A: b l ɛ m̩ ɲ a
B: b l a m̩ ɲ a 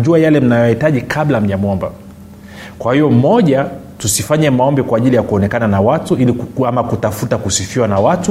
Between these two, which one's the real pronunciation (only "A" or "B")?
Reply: B